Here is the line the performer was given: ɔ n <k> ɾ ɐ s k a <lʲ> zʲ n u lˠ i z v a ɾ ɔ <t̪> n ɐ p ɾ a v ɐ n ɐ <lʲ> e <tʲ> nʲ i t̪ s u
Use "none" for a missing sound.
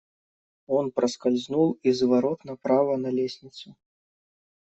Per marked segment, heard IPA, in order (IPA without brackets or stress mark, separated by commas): p, lʲ, t̪, lʲ, sʲ